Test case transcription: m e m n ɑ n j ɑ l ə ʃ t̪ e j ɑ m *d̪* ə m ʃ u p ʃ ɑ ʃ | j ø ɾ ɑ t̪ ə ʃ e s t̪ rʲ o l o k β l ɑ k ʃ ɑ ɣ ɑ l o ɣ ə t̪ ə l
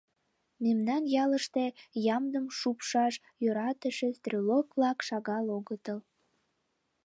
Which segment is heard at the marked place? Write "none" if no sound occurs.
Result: d̪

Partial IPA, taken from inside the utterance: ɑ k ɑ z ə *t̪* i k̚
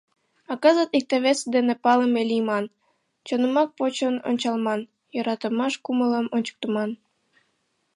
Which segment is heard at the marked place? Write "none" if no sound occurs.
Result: t̪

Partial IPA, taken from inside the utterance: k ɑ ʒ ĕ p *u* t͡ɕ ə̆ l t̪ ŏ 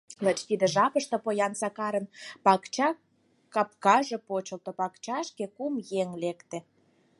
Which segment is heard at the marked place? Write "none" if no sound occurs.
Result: o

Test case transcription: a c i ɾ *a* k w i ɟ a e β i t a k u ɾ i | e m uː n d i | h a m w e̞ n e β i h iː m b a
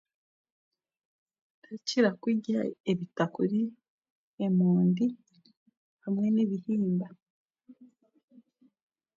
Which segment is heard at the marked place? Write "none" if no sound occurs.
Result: a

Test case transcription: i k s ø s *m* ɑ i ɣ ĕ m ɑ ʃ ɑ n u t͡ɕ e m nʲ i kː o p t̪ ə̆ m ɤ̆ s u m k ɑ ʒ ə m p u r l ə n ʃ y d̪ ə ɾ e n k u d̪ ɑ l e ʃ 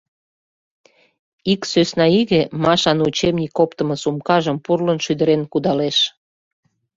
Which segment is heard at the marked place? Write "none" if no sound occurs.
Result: n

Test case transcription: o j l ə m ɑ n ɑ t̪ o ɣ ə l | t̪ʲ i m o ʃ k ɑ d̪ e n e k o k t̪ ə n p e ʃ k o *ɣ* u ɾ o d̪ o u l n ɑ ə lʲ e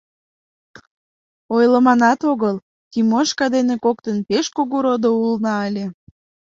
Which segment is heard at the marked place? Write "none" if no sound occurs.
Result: ɣ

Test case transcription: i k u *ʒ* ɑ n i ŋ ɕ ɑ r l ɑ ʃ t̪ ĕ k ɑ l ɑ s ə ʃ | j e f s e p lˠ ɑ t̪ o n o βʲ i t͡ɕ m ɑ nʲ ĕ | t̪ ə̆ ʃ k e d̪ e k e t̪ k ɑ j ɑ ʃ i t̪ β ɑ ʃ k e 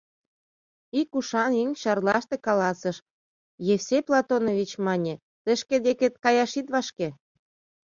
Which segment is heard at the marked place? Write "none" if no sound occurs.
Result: ʃ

